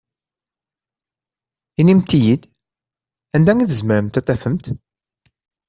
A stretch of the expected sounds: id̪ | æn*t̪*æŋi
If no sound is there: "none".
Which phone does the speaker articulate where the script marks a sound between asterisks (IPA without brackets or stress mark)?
d̪